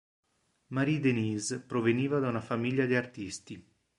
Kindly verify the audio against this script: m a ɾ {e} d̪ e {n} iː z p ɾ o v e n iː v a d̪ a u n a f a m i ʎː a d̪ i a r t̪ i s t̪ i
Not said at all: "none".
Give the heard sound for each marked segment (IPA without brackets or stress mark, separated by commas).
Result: i, n